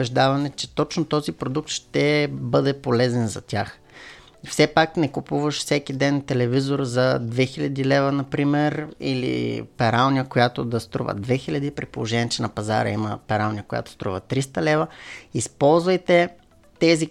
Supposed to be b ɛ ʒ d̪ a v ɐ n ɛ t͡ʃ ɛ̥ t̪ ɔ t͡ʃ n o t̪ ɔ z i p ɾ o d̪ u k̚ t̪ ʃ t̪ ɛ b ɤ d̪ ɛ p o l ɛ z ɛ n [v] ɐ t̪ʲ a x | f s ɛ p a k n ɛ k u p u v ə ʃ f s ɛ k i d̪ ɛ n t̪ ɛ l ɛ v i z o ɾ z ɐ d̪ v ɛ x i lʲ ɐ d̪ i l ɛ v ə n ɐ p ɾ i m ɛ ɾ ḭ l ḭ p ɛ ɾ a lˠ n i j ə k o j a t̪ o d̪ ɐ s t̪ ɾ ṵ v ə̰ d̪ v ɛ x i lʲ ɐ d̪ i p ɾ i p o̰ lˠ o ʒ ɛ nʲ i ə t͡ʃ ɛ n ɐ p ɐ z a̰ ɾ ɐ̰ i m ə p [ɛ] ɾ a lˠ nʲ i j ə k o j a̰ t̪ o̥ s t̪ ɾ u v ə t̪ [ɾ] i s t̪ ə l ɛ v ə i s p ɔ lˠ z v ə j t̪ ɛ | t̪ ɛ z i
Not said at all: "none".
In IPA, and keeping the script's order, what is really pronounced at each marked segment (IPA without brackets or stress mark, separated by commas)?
z, ɛ, ɾ